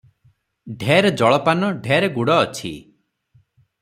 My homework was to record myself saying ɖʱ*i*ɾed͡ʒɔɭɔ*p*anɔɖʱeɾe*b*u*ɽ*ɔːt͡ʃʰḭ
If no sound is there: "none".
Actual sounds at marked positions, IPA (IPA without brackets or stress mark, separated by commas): e, p, ɡ, ɽ